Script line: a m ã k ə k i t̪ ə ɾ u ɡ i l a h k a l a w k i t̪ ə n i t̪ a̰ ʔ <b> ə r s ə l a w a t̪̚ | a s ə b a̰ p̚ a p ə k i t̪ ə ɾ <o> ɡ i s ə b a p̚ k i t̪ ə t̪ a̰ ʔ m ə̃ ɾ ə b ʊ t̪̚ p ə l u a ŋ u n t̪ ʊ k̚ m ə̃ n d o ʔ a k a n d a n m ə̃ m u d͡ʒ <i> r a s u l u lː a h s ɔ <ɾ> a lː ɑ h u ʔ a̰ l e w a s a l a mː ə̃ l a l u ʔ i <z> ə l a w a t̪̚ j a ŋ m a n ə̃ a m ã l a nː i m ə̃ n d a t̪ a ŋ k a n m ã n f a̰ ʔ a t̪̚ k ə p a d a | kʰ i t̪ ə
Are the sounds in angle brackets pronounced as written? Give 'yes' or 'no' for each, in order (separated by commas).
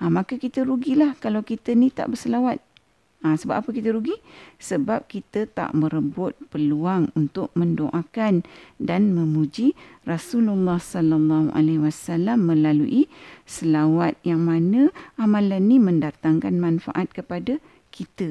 yes, no, yes, no, no